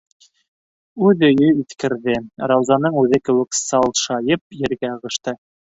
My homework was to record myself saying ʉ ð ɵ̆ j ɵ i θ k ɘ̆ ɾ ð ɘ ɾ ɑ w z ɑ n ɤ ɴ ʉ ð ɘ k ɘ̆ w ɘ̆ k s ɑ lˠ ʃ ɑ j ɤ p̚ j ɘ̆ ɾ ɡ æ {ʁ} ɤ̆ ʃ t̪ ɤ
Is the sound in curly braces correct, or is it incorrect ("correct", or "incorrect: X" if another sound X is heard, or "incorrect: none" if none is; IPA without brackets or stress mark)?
correct